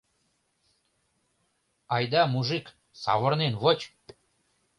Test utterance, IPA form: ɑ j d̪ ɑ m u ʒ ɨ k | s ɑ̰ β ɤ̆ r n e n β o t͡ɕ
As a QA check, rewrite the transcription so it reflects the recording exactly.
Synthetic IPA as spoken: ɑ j d̪ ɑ m u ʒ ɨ k | s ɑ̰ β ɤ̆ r n e n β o t͡ɕ